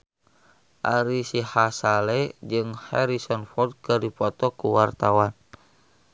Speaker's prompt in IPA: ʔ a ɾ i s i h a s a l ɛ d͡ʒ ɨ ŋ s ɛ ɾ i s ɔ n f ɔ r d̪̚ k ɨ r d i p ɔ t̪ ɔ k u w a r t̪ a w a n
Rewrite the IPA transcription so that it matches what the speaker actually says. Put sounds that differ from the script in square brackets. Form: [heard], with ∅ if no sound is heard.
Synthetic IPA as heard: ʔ a ɾ i s i h a s a l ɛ d͡ʒ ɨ ŋ [h] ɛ ɾ i s ɔ n f ɔ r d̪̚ k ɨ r d i p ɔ t̪ ɔ k u w a r t̪ a w a n